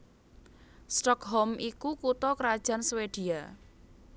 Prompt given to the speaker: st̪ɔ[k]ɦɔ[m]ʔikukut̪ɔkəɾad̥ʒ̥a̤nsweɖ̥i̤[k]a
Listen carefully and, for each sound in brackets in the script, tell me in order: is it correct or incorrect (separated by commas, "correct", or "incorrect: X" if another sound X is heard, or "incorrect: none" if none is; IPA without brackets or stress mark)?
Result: correct, correct, incorrect: none